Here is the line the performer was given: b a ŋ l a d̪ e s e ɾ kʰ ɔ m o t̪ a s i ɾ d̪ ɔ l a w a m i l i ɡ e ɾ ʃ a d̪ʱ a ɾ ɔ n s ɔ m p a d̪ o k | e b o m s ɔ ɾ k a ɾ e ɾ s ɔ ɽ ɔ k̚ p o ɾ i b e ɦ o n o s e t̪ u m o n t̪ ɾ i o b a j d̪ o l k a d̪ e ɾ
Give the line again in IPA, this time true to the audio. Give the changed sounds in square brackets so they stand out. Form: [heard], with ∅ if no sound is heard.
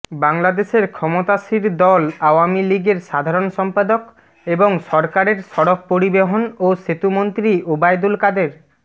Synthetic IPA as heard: b a ŋ l a d̪ e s e ɾ kʰ ɔ m o t̪ a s i ɾ d̪ ɔ l a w a m i l i ɡ e ɾ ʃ a d̪ʱ a ɾ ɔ n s ɔ m p a d̪ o k | e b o [ŋ] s ɔ ɾ k a ɾ e ɾ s ɔ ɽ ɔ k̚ p o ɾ i b e ɦ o n o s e t̪ u m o n t̪ ɾ i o b a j d̪ [u] l k a d̪ e ɾ